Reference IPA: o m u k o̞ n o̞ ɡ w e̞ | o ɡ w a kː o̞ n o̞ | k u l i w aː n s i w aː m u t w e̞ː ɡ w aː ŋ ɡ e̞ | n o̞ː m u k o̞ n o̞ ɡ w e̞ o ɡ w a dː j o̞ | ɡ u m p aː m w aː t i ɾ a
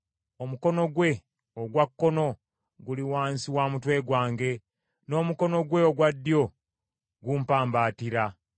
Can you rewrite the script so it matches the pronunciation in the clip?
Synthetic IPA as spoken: o m u k o̞ n o̞ ɡ w e̞ | o ɡ w a kː o̞ n o̞ | ɡ u l i w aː n s i w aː m u t w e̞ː ɡ w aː ŋ ɡ e̞ | n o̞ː m u k o̞ n o̞ ɡ w e̞ o ɡ w a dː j o̞ | ɡ u m p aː m b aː t i ɾ a